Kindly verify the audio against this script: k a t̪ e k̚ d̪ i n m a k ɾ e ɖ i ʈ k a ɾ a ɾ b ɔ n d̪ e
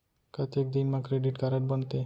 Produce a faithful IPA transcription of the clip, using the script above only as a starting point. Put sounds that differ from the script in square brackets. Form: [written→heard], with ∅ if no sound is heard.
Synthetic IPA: k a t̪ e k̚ d̪ i n m a k ɾ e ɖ i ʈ k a ɾ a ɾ b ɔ n [d̪→t̪] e